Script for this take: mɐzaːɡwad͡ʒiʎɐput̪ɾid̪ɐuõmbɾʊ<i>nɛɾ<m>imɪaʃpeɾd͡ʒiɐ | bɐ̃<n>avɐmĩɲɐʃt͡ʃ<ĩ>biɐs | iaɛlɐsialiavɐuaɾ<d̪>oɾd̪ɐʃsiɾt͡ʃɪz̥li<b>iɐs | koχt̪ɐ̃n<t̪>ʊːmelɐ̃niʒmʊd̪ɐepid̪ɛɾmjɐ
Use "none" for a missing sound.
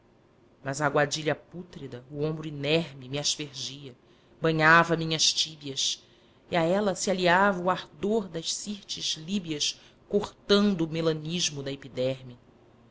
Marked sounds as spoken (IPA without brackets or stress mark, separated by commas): i, m, ɲ, i, d̪, b, d̪